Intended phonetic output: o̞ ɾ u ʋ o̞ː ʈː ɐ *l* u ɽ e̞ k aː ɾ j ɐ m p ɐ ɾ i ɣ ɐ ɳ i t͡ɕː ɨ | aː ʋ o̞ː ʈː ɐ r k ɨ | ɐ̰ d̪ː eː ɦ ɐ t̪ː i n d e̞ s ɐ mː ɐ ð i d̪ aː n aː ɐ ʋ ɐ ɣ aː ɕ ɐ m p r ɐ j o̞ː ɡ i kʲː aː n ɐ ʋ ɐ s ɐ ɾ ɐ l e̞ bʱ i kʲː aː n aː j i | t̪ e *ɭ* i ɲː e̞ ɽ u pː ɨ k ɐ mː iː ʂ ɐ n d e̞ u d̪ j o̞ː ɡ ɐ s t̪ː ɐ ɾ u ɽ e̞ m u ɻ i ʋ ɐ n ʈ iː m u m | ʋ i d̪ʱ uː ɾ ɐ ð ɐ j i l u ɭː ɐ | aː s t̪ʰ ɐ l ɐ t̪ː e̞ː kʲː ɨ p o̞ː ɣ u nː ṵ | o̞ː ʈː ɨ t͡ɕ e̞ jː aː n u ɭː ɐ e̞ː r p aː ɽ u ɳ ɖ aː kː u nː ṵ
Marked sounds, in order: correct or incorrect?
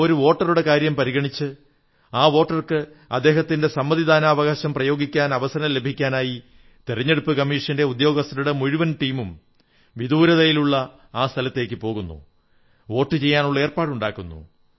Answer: incorrect, incorrect

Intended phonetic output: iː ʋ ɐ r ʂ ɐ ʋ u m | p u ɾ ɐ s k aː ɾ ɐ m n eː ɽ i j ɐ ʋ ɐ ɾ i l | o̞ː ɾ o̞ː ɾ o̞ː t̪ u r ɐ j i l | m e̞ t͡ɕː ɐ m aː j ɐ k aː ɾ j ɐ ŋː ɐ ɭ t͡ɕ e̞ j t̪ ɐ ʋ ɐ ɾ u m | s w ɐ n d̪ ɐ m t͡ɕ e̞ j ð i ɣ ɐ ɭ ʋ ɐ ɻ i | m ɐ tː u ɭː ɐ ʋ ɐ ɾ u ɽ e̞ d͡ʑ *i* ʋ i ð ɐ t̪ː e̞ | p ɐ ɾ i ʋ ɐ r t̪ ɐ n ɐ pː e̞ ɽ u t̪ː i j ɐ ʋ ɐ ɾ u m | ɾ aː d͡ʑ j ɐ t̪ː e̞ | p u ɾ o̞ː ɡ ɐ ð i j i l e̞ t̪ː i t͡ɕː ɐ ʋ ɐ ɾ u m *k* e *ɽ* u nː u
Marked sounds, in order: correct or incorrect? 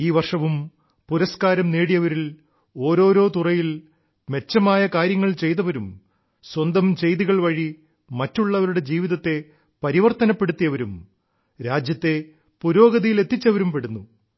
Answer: incorrect, incorrect, correct

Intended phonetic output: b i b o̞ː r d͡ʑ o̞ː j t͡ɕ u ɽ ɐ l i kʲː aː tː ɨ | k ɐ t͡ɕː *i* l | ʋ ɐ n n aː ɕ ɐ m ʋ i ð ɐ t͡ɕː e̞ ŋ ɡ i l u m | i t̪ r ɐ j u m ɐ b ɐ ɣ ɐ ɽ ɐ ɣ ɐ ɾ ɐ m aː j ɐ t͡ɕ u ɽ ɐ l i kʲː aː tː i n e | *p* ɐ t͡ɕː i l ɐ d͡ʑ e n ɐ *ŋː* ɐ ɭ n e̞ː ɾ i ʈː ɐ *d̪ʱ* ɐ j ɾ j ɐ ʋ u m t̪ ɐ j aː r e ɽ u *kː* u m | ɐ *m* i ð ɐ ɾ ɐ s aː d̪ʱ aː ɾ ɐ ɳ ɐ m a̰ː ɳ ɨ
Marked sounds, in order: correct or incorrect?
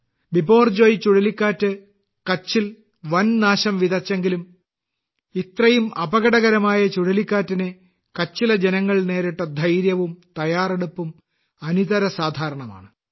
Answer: correct, incorrect, correct, correct, incorrect, incorrect

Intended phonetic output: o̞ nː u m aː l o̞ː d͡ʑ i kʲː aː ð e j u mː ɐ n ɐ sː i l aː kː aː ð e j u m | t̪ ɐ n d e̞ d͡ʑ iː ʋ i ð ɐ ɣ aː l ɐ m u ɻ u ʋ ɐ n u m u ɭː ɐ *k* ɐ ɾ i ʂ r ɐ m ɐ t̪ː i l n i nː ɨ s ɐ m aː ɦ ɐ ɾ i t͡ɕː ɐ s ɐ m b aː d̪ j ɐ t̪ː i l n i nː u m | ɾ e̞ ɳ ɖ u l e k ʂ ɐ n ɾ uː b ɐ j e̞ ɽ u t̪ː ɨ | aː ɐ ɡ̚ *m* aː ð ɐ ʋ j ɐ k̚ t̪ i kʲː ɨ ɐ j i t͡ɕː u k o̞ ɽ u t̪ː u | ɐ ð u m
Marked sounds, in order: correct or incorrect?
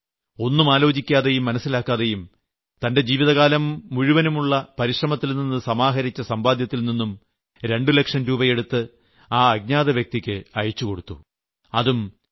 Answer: incorrect, incorrect

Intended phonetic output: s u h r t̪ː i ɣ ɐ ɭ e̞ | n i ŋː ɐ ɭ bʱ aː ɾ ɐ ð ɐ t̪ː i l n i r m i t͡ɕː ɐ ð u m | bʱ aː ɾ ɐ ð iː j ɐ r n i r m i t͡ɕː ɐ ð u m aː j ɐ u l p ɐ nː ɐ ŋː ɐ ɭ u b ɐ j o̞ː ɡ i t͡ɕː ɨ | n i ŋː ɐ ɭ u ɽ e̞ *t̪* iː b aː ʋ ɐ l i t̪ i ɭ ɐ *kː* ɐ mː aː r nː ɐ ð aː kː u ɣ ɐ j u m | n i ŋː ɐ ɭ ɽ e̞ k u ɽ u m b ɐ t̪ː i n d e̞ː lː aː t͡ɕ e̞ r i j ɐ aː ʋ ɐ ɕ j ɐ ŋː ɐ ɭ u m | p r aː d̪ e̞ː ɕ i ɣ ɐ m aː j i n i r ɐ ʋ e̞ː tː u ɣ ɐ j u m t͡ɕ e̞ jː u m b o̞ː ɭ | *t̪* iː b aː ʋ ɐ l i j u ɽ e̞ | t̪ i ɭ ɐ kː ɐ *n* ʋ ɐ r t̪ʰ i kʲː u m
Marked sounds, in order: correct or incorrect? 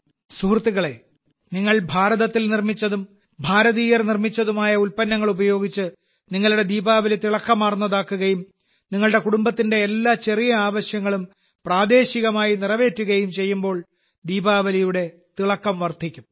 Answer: incorrect, correct, incorrect, incorrect

